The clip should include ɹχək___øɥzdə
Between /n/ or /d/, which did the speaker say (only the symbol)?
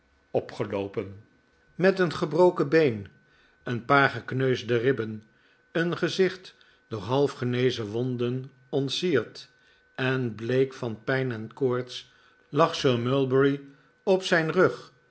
n